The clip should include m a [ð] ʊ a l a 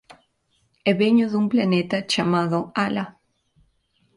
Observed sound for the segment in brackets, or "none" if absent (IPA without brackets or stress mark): ð